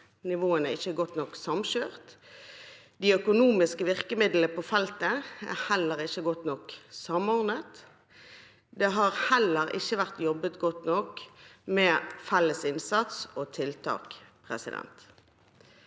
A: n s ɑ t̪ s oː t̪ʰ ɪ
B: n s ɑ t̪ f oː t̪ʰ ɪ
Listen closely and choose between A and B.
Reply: A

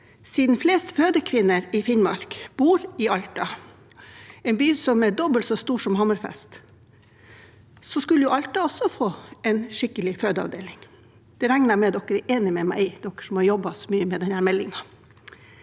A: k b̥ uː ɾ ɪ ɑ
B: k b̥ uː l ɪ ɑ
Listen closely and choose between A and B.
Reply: A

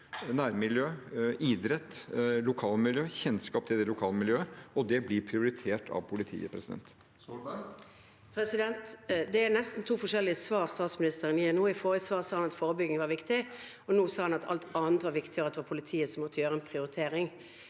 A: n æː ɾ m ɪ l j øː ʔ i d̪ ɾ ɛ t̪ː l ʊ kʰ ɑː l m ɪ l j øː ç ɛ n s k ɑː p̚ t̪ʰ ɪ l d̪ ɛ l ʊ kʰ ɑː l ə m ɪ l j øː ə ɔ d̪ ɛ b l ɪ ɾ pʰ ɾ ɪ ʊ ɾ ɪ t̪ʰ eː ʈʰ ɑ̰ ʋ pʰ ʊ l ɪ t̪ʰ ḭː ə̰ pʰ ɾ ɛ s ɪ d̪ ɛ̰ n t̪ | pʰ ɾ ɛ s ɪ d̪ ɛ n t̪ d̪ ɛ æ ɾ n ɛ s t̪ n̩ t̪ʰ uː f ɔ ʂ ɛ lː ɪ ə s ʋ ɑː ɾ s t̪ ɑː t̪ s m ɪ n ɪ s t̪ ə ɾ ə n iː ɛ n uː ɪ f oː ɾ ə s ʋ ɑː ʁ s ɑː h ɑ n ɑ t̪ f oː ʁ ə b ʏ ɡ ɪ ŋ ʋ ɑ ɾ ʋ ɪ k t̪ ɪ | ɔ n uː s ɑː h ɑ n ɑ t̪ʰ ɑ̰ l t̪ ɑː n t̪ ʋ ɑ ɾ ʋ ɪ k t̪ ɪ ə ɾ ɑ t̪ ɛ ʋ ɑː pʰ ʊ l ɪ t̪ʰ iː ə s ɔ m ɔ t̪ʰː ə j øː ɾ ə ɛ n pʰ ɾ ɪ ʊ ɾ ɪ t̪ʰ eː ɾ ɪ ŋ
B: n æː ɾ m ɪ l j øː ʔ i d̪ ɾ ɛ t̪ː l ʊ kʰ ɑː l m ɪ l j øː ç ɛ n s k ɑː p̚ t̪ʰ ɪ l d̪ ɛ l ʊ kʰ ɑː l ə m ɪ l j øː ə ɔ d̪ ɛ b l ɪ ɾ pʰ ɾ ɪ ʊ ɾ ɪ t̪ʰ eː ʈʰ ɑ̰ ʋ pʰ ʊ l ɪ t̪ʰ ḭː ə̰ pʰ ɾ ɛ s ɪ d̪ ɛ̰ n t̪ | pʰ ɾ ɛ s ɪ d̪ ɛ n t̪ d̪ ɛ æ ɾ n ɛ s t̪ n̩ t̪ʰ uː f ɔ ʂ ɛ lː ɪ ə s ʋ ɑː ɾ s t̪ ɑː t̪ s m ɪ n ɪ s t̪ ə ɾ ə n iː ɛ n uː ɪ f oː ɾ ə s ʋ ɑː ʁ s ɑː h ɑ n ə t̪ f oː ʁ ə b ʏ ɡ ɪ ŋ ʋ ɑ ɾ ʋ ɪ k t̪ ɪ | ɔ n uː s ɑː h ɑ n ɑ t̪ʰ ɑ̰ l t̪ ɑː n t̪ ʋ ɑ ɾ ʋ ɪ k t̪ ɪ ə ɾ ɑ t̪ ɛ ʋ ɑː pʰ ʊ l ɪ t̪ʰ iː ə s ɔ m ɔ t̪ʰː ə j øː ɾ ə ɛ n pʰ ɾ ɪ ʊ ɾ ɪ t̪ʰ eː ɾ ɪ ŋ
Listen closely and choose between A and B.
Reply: A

